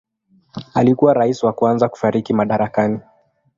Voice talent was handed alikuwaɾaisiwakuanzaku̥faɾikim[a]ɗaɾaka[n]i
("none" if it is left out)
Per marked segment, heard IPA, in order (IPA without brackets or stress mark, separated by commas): a, n